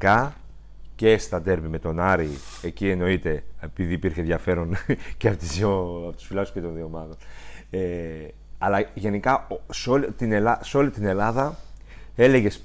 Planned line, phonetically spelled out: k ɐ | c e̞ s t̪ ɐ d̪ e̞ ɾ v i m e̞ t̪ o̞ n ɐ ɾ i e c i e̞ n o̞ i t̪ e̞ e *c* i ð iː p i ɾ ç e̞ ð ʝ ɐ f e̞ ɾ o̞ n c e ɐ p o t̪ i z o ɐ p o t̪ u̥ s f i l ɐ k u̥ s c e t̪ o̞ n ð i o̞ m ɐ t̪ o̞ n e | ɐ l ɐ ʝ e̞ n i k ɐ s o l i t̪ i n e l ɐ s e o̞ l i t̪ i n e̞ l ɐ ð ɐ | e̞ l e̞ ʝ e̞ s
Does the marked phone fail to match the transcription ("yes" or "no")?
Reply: yes